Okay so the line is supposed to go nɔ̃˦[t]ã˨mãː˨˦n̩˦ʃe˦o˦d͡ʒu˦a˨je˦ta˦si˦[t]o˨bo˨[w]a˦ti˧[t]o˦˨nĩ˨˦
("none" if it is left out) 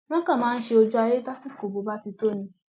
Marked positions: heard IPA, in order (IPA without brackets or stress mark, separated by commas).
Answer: k, k, b, t